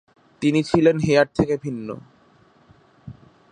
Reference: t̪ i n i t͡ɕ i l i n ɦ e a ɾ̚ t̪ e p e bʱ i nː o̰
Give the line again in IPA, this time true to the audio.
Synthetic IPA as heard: t̪ i n i t͡ɕʰ i l e n ɦ e a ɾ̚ t̪ʰ e k e bʱ i nː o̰